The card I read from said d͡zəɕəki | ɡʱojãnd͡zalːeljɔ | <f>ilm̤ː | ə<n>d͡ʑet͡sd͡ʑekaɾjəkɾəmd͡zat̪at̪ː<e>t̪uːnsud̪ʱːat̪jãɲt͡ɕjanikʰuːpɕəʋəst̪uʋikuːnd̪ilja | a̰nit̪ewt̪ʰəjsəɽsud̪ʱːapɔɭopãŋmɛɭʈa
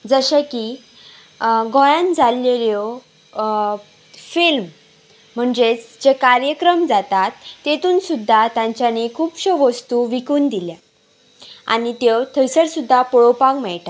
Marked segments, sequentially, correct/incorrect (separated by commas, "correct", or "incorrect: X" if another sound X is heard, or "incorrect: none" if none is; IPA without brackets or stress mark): correct, incorrect: ɳ, correct